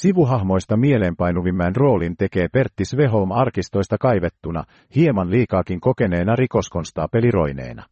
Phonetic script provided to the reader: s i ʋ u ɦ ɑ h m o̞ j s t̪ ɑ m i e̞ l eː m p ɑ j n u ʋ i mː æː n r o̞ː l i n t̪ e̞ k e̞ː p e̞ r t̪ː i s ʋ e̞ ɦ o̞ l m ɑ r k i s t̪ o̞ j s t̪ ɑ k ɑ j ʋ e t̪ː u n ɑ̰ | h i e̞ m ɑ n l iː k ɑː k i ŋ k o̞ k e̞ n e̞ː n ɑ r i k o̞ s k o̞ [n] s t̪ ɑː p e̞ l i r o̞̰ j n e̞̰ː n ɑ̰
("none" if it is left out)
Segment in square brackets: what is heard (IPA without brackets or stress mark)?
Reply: n